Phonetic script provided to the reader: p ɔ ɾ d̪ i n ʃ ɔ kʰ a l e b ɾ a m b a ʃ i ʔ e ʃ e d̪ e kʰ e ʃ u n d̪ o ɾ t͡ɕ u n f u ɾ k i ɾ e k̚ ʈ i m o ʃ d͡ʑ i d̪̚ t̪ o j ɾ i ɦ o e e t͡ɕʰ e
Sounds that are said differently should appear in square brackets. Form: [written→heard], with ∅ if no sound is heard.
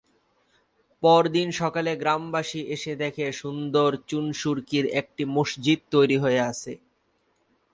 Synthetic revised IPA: p ɔ ɾ d̪ i n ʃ ɔ [kʰ→k] a l e [b→ɡ] ɾ a m b a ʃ i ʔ e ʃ e d̪ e kʰ e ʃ u n d̪ o ɾ t͡ɕ u n [f→ʃ] u ɾ k i ɾ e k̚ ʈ i m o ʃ d͡ʑ i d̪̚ t̪ o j ɾ i ɦ o e [e→a] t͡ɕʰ e

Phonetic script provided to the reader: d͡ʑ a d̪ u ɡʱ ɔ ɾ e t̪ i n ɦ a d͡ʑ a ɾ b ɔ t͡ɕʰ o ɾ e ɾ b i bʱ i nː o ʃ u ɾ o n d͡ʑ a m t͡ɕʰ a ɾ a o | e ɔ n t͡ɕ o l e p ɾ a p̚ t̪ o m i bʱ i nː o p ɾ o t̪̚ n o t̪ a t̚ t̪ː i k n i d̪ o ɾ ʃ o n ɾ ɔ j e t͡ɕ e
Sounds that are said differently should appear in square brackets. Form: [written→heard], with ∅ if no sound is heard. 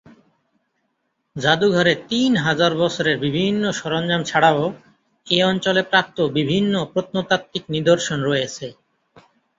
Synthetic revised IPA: d͡ʑ a d̪ u ɡʱ ɔ ɾ e t̪ i n ɦ a d͡ʑ a ɾ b ɔ t͡ɕʰ o ɾ e ɾ b i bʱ i nː o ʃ [u→ɔ] ɾ o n d͡ʑ a m t͡ɕʰ a [ɾ→ɽ] a o | e ɔ n t͡ɕ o l e p ɾ a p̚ t̪ o [m→b] i bʱ i nː o p ɾ o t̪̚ n o t̪ a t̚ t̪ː i k n i d̪ o ɾ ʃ o n ɾ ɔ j e [t͡ɕ→t͡ɕʰ] e

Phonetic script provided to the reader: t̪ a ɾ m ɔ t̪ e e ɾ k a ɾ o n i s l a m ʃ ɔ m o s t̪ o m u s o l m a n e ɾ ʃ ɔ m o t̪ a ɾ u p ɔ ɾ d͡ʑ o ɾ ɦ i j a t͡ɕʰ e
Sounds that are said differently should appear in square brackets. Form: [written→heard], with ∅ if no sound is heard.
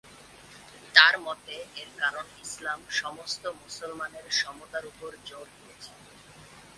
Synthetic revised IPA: t̪ a ɾ m ɔ t̪ e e ɾ k a ɾ o n i s l a m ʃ ɔ m o s t̪ o m u s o l m a n e ɾ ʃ ɔ m o t̪ a ɾ u p [ɔ→o] ɾ d͡ʑ o ɾ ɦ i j [a→e] t͡ɕʰ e

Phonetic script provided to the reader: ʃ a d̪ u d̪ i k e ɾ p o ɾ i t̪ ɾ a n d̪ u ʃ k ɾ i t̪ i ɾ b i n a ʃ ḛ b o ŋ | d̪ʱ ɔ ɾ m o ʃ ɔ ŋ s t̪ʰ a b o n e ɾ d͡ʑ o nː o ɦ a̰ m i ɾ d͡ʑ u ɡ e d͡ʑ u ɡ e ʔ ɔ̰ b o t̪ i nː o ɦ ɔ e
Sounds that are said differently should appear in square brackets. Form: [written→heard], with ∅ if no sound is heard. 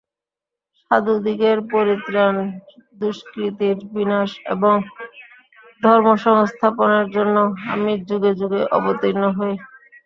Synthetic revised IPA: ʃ a d̪ u d̪ i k e ɾ p o ɾ i t̪ ɾ a n d̪ u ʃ k ɾ i t̪ i ɾ b i n a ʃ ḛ b o ŋ | d̪ʱ ɔ ɾ m o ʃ ɔ ŋ s t̪ʰ a [b→p] o n e ɾ d͡ʑ o nː o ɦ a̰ m i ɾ d͡ʑ u ɡ e d͡ʑ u ɡ e ʔ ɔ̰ b o t̪ i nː o ɦ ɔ e

